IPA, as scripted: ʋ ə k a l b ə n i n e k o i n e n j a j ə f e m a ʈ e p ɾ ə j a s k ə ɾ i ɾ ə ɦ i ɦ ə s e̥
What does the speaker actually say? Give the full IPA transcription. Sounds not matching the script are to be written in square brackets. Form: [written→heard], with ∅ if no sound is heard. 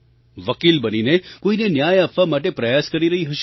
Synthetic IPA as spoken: ʋ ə k [a→i] l b ə n i n e k o i n e n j a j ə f [e→a] m a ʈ e p ɾ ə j a s k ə ɾ i ɾ ə ɦ i ɦ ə [s→ʃ] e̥